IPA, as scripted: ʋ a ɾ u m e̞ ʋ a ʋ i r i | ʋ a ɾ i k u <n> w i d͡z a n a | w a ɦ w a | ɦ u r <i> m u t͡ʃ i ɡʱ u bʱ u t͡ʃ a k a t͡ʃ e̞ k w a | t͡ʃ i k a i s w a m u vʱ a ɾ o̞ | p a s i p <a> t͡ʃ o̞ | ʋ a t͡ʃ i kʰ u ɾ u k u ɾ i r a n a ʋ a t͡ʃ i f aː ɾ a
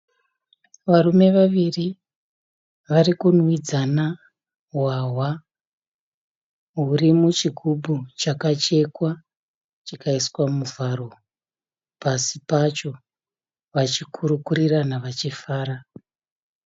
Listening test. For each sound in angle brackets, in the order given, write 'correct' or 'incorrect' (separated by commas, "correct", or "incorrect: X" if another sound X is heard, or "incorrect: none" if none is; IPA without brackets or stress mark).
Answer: correct, correct, correct